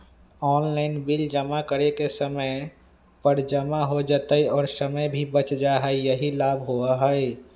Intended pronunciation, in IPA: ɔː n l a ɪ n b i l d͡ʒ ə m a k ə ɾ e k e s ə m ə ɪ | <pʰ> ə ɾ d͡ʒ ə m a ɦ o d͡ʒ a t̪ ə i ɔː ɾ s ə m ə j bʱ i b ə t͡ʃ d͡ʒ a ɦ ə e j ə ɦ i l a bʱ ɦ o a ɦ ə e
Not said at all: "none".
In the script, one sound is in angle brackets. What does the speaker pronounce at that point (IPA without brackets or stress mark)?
p